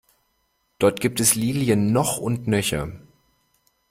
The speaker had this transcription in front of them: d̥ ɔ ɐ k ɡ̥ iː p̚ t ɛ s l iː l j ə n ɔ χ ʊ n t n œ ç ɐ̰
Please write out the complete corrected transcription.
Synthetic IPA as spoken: d̥ ɔ ɐ t ɡ̥ iː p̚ t ɛ s l iː l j ə nː ɔ χ ʊ n t n œ ç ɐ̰